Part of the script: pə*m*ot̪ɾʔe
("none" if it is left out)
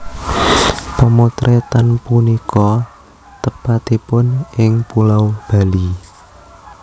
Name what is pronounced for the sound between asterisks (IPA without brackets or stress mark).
m